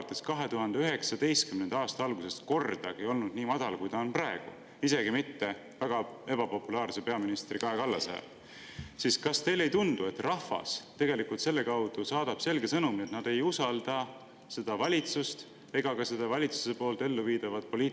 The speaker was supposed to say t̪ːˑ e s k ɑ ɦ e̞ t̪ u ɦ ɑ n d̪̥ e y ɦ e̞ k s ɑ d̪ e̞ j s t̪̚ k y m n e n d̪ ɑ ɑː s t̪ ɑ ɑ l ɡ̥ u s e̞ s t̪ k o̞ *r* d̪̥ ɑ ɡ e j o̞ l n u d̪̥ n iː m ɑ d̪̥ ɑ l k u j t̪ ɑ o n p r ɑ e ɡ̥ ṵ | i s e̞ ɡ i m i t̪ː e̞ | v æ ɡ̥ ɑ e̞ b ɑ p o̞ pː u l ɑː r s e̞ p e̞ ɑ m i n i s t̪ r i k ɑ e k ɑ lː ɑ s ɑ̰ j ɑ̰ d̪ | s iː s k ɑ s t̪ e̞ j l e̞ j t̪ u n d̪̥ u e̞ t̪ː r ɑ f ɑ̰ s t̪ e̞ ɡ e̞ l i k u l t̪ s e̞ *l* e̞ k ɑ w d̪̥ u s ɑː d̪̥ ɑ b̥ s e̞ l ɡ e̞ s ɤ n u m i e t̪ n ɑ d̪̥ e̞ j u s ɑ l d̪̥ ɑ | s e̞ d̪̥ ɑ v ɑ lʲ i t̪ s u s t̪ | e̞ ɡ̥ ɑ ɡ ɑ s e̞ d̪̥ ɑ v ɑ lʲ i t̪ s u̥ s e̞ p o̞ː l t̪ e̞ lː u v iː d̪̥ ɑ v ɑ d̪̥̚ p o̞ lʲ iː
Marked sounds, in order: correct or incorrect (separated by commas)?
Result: correct, incorrect